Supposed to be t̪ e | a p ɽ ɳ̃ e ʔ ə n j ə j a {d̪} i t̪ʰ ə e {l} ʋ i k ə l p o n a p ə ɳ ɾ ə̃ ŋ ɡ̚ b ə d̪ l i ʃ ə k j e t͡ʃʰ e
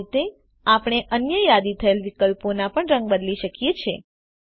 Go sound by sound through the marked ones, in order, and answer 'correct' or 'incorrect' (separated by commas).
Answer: correct, correct